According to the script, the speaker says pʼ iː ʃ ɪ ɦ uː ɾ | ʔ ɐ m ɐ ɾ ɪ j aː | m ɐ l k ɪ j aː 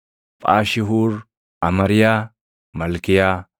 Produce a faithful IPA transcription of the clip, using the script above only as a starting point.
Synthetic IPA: pʼ aː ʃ ɪ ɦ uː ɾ | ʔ ɐ m ɐ ɾ ɪ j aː | m ɐ l k ɪ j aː